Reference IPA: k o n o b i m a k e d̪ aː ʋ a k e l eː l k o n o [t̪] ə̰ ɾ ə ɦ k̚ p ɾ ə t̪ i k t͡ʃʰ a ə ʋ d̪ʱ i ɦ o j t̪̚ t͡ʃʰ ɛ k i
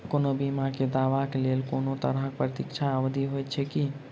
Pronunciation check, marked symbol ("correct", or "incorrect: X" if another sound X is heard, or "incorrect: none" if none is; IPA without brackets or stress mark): correct